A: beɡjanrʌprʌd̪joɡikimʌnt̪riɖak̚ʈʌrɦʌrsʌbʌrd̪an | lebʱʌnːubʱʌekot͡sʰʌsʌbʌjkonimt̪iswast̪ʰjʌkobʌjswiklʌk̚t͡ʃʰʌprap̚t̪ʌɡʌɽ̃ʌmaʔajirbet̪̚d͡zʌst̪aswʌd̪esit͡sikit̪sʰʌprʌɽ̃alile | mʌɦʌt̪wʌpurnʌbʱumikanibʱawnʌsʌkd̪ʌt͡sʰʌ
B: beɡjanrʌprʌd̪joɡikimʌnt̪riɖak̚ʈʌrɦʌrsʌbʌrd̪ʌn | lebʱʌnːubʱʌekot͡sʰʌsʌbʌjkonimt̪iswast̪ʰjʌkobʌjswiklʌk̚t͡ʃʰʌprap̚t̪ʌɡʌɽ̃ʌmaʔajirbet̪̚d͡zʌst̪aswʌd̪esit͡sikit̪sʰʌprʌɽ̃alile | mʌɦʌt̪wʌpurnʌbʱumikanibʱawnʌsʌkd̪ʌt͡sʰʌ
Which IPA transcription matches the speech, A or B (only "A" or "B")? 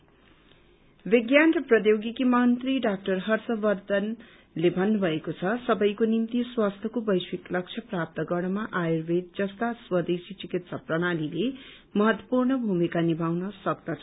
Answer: B